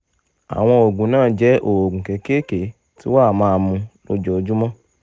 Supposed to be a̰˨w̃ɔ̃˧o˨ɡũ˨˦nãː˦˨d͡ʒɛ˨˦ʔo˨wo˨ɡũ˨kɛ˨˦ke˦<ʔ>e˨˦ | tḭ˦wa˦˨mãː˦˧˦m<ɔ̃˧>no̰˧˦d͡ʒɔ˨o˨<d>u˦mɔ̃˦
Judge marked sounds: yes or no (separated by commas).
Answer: no, no, no